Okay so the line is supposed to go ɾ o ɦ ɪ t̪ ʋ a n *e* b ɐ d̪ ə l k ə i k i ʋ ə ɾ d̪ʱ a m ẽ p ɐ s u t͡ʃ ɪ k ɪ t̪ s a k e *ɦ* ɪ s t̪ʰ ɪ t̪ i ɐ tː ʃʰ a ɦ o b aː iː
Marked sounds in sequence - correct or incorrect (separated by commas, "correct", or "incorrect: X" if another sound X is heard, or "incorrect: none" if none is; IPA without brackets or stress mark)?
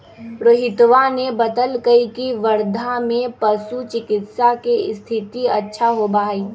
correct, incorrect: none